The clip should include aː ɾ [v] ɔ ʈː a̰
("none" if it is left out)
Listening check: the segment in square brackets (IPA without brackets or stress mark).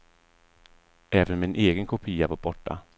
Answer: b